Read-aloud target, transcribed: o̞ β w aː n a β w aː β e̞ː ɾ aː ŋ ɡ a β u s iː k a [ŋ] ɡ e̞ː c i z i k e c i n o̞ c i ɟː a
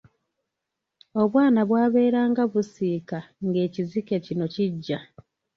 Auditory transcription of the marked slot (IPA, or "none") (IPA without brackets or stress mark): ŋ